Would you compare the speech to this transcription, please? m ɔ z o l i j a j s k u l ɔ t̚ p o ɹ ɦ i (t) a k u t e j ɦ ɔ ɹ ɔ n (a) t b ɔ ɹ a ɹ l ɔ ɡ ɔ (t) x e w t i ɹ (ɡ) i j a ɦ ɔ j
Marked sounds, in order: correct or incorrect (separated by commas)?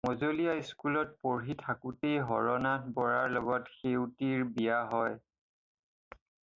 incorrect, correct, correct, incorrect